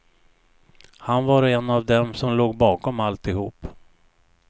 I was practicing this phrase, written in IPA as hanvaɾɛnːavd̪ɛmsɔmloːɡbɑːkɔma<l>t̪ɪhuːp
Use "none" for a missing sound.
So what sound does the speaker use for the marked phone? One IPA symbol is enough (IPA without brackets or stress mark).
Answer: l